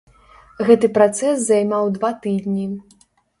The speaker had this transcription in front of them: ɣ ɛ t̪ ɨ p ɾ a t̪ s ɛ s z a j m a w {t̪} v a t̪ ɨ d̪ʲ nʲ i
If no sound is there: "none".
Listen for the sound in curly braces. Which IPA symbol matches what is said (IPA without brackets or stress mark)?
d̪